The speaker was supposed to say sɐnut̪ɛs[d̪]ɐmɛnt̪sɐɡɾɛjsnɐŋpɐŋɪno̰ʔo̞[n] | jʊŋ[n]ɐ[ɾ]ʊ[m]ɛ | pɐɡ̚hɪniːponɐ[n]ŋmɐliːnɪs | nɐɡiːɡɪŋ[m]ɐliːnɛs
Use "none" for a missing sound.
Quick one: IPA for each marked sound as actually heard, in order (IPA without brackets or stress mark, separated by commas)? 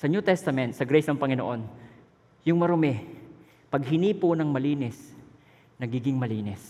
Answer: t̪, n, m, ɾ, m, none, m